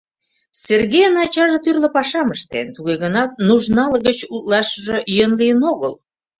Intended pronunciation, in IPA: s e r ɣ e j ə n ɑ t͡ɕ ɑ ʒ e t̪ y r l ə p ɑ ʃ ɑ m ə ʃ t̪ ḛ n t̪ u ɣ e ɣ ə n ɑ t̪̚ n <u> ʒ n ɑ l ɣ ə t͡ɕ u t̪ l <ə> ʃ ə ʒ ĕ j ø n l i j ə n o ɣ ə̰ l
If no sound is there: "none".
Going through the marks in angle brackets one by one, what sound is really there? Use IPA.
u, ɑ

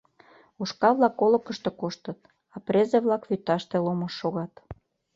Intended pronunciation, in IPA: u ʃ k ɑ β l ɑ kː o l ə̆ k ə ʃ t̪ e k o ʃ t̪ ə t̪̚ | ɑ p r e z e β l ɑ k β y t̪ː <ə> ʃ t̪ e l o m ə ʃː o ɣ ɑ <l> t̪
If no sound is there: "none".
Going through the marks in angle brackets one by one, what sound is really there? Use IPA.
ɑ, none

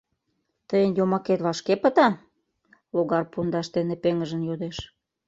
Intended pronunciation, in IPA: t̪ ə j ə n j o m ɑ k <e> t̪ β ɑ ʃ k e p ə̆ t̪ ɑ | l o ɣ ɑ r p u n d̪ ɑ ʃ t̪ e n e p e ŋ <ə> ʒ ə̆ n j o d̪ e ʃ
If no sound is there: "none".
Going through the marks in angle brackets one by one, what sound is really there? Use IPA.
e, ə

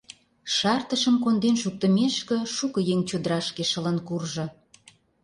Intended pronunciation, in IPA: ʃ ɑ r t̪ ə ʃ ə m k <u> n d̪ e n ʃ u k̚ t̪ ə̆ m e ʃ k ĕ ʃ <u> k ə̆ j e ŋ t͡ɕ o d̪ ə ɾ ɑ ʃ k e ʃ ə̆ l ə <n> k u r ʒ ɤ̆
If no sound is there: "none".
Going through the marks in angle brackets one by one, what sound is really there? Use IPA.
o, u, n

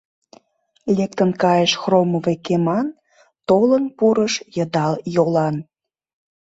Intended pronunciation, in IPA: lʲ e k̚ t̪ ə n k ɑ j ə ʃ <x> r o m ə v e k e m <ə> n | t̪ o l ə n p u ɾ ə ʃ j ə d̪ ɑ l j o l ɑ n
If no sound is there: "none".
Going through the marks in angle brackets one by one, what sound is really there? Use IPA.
x, ɑ

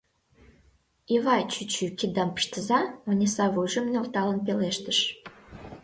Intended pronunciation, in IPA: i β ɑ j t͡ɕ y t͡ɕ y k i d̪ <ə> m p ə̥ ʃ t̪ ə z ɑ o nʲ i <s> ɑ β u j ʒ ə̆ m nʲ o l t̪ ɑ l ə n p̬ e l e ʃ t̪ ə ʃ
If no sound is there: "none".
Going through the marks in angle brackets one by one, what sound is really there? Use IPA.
ɑ, s

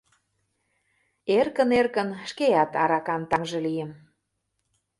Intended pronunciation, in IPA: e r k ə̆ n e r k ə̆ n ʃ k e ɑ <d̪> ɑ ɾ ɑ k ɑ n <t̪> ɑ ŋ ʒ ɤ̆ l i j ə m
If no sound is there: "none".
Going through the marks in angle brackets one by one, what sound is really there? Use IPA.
t̪, t̪

